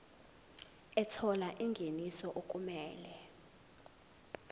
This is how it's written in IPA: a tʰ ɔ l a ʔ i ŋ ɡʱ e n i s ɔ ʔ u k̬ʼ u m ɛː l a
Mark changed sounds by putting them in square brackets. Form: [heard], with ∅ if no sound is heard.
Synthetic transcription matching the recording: [ɛ] tʰ ɔ l a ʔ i ŋ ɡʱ e n i s ɔ ʔ [o] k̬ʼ u m ɛː l [ɛ]